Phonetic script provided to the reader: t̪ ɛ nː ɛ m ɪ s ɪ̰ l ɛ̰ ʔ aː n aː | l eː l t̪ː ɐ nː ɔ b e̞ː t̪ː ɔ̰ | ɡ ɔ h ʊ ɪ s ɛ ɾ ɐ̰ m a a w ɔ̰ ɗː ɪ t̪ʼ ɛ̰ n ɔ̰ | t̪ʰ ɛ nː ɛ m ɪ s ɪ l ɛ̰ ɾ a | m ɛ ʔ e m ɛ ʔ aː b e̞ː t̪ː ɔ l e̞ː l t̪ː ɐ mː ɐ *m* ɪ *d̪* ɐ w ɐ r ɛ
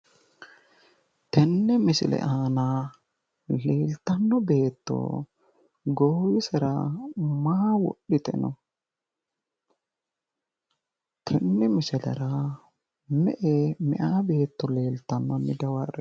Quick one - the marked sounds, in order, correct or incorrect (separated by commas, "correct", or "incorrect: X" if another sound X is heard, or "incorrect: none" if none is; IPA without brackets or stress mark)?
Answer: correct, correct